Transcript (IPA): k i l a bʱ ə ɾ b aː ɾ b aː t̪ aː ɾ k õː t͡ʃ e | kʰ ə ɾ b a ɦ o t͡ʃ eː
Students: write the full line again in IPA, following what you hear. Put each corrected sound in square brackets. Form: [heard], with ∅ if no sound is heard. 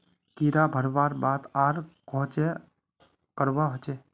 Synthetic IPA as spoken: k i [ɾ] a bʱ ə ɾ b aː ɾ b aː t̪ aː ɾ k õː t͡ʃ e | [k] ə ɾ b a ɦ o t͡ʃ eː